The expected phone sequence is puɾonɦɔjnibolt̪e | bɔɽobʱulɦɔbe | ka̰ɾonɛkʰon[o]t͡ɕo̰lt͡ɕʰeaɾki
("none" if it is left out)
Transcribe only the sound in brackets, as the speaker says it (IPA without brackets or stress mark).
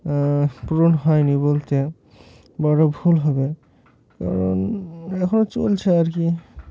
o